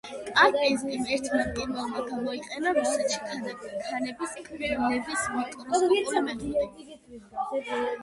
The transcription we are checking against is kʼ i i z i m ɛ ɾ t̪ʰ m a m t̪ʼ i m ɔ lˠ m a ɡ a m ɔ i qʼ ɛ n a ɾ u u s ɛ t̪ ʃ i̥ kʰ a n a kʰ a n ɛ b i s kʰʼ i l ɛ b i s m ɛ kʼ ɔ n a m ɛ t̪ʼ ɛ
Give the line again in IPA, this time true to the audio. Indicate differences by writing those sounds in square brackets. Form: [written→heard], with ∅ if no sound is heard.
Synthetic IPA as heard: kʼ [i→a] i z i m ɛ ɾ t̪ʰ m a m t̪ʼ i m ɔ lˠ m a ɡ a m ɔ i qʼ ɛ n a ɾ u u s ɛ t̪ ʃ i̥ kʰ a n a kʰ a n ɛ b i s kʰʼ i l ɛ b i s m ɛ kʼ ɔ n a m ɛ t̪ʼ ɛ

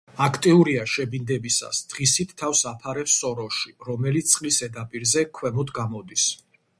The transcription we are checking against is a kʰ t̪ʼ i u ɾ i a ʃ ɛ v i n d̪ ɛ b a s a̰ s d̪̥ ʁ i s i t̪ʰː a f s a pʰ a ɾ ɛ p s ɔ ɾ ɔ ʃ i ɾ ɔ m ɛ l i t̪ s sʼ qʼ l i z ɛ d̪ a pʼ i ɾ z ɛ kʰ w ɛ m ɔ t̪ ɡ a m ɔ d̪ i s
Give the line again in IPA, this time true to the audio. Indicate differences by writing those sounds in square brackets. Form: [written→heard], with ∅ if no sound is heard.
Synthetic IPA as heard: a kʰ t̪ʼ i u ɾ i a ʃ ɛ [v→b] i n d̪ ɛ b [a→i] s a̰ s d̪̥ ʁ i s i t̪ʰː a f s a pʰ a ɾ ɛ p s ɔ ɾ ɔ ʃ i ɾ ɔ m ɛ l i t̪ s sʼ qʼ l i [z→s] ɛ d̪ a pʼ i ɾ z ɛ kʰ w ɛ m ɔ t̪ ɡ a m ɔ d̪ i s

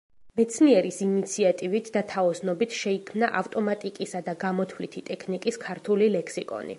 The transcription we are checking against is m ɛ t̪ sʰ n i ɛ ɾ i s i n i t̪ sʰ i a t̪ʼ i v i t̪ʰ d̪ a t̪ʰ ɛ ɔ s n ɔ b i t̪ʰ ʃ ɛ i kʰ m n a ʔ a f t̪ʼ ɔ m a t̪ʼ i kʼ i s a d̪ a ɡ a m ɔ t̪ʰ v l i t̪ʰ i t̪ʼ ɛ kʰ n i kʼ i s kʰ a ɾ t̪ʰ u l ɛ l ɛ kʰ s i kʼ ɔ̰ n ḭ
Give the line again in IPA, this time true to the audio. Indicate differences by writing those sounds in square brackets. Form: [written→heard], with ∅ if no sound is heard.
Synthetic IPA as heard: m ɛ t̪ sʰ n i ɛ ɾ i s i n i t̪ sʰ i a t̪ʼ i v i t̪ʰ d̪ a t̪ʰ [ɛ→a] ɔ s n ɔ b i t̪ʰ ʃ ɛ i kʰ m n a ʔ a f t̪ʼ ɔ m a t̪ʼ i kʼ i s a d̪ a ɡ a m ɔ t̪ʰ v l i t̪ʰ i t̪ʼ ɛ kʰ n i kʼ i s kʰ a ɾ t̪ʰ u l [ɛ→i] l ɛ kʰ s i kʼ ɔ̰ n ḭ

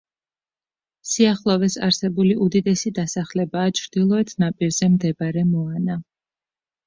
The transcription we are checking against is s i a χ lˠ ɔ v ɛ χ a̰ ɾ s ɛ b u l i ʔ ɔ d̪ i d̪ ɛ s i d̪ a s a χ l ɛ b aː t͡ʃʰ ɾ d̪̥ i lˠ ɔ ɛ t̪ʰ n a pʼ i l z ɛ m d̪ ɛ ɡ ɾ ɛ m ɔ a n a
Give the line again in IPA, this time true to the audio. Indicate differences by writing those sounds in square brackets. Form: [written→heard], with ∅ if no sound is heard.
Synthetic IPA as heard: s i a χ lˠ ɔ v ɛ [χ→s] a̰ ɾ s ɛ b u l i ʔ [ɔ→u] d̪ i d̪ ɛ s i d̪ a s a χ l ɛ b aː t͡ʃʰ ɾ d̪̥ i lˠ ɔ ɛ t̪ʰ n a pʼ i [l→ɾ] z ɛ m d̪ ɛ [ɡ→b] ɾ ɛ m ɔ a n a

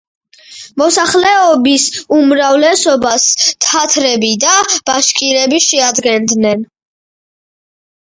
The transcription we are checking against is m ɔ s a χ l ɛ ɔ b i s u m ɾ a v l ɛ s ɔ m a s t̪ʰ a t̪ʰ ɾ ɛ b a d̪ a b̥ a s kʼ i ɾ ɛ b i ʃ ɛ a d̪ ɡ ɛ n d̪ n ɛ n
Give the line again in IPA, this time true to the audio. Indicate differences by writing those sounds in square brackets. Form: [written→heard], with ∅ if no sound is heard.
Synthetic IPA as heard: m ɔ s a χ l ɛ ɔ b i s u m ɾ a v l ɛ s ɔ [m→b] a s t̪ʰ a t̪ʰ ɾ ɛ b [a→i] d̪ a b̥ a [s→ʃ] kʼ i ɾ ɛ b i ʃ ɛ a d̪ ɡ ɛ n d̪ n ɛ n

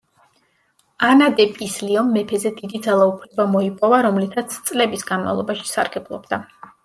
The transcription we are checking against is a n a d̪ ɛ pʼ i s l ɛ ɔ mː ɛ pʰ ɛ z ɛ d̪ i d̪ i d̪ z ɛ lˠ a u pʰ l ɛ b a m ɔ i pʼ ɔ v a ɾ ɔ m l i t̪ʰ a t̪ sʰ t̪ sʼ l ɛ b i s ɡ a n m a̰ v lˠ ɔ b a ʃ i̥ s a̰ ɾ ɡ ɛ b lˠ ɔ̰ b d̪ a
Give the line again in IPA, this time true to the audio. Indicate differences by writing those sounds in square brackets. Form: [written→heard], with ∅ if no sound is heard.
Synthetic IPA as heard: a n a d̪ ɛ pʼ i s l [ɛ→i] ɔ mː ɛ pʰ ɛ z ɛ d̪ i d̪ i d̪ z [ɛ→a] lˠ a u pʰ l ɛ b a m ɔ i pʼ ɔ v a ɾ ɔ m l i t̪ʰ a t̪ sʰ t̪ sʼ l ɛ b i s ɡ a n m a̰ v lˠ ɔ b a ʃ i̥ s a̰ ɾ ɡ ɛ b lˠ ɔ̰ b d̪ a

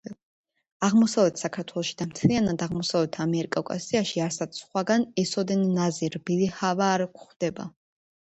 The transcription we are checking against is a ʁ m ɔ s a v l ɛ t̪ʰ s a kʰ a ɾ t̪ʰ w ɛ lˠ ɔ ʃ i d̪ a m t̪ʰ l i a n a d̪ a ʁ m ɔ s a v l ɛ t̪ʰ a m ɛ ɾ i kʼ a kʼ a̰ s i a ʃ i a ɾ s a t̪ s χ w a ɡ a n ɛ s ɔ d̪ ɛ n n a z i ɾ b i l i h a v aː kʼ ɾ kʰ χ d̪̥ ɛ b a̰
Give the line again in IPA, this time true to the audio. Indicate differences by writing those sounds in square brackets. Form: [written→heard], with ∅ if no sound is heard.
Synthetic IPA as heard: a ʁ m ɔ s a v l ɛ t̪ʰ s a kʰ a ɾ t̪ʰ w ɛ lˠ ɔ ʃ i d̪ a m t̪ʰ l i a n a d̪ a ʁ m ɔ s a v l ɛ t̪ʰ a m ɛ ɾ i kʼ a kʼ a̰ s i a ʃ i a ɾ s a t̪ s χ w a ɡ a n ɛ s ɔ d̪ ɛ n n a z i ɾ b i l i h a v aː [kʼ→∅] ɾ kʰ χ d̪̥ ɛ b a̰

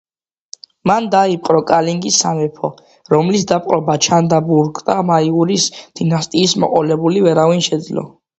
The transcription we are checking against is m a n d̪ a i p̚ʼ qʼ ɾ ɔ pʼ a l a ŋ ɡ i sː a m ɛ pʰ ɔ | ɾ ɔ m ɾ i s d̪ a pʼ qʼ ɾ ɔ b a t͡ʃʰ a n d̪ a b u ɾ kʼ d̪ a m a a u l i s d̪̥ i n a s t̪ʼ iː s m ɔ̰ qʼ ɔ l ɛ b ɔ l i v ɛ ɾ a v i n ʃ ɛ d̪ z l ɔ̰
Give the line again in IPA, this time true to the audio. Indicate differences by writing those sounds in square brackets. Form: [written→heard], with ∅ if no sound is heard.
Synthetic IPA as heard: m a n d̪ a i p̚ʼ qʼ ɾ ɔ [pʼ→kʼ] a l [a→i] ŋ ɡ i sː a m ɛ pʰ ɔ | ɾ ɔ m [ɾ→l] i s d̪ a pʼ qʼ ɾ ɔ b a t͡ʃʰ a n d̪ a b u ɾ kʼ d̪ a m a [a→i] u [l→ɾ] i s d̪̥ i n a s t̪ʼ iː s m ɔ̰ qʼ ɔ l ɛ b [ɔ→u] l i v ɛ ɾ a v i n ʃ ɛ d̪ z l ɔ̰

